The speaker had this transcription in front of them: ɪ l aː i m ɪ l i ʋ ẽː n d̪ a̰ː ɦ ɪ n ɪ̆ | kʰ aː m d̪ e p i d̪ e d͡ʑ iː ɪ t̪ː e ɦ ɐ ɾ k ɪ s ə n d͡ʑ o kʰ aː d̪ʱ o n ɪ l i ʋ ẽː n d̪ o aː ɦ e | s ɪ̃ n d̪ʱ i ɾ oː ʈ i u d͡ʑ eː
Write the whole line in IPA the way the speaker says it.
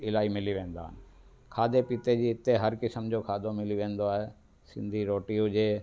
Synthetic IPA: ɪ l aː i m ɪ l i ʋ ẽː n d̪ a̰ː ɦ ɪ n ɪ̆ | kʰ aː d̪ e p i t̪ e d͡ʑ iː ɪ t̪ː e ɦ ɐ ɾ k ɪ s ə m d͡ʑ o kʰ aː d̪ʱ o m ɪ l i ʋ ẽː n d̪ o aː ɦ e | s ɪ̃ n d̪ʱ i ɾ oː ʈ i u d͡ʑ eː